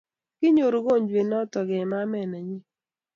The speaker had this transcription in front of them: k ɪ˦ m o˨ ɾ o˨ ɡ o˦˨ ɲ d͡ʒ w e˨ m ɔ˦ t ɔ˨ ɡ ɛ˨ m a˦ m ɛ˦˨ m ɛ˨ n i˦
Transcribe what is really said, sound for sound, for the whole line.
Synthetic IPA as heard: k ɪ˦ ɲ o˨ ɾ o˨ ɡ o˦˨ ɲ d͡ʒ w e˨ n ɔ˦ t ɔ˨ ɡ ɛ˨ m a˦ m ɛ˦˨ n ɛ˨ ɲ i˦